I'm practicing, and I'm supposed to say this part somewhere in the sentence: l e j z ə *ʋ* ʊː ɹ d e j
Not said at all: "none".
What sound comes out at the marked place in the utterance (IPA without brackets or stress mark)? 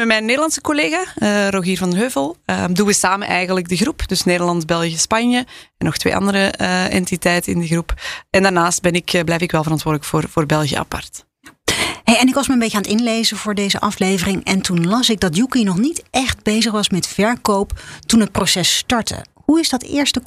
v